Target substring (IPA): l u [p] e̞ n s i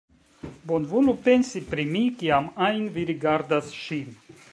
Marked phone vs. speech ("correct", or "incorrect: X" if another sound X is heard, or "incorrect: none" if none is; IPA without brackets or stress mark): correct